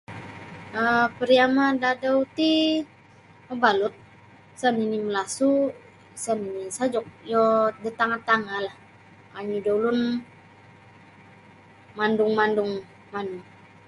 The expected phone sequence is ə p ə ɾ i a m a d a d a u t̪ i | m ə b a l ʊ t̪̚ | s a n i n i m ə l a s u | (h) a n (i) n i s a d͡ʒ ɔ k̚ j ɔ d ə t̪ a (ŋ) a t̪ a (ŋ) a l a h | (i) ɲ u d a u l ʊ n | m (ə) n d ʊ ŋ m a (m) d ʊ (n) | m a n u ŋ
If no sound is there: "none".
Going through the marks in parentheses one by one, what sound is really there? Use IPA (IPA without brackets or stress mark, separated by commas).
s, i, ŋ, ŋ, a, a, n, ŋ